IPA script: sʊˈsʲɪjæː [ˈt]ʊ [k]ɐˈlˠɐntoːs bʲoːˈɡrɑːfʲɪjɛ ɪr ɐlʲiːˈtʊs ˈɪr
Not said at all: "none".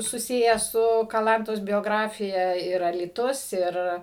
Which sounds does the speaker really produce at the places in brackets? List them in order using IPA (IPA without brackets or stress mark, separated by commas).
s, k